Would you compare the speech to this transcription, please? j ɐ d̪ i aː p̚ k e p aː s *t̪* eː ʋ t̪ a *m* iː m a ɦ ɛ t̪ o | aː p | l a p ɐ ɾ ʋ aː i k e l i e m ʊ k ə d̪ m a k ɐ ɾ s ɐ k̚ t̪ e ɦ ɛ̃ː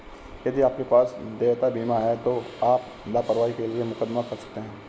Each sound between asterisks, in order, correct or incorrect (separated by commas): incorrect, incorrect